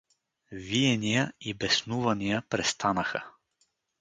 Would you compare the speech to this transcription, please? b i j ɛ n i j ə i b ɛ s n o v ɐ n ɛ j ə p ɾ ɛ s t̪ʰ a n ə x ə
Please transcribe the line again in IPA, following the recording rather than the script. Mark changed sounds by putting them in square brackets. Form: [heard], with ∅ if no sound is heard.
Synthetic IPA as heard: [v] i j ɛ n i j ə i b ɛ s n [u] v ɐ n [i] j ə p ɾ ɛ s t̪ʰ a n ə x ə